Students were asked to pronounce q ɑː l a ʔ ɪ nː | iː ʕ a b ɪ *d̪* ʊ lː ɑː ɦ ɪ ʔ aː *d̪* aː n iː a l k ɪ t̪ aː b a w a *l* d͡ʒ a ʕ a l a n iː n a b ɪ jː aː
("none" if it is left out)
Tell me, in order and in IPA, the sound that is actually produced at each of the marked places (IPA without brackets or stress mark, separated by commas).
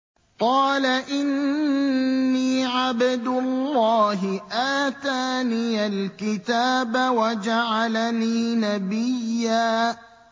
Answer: d̪, t̪, none